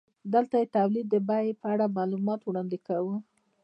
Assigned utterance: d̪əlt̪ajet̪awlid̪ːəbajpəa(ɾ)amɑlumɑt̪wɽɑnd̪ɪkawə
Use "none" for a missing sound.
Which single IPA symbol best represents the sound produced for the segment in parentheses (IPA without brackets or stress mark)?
ɽ